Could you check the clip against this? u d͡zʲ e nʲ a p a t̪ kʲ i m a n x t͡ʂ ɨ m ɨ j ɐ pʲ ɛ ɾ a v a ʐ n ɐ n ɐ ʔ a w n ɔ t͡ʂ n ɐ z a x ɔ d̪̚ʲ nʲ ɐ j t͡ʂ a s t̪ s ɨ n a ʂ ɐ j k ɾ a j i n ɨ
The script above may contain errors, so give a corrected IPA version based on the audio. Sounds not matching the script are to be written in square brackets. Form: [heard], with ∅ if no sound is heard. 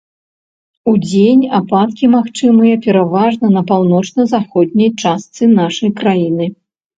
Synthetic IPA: u d͡zʲ e nʲ a p a t̪ kʲ i m a [∅] x t͡ʂ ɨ m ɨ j ɐ pʲ ɛ ɾ a v a ʐ n ɐ n ɐ [p] a w n ɔ t͡ʂ n ɐ z a x ɔ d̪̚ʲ nʲ ɐ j t͡ʂ a s t̪ s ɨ n a ʂ ɐ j k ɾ a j i n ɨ